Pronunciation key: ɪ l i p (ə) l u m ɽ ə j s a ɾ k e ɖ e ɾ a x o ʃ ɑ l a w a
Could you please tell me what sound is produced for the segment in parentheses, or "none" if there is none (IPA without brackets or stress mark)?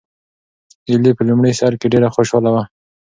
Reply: ə